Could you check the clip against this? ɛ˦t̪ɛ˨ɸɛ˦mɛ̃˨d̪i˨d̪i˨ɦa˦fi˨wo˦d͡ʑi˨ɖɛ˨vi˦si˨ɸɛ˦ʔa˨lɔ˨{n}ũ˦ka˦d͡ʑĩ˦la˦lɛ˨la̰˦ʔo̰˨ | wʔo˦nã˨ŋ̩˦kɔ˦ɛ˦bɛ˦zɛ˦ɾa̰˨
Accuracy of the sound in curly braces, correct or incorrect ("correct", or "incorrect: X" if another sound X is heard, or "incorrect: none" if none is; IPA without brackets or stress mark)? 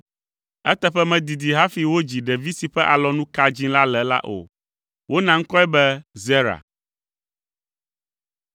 correct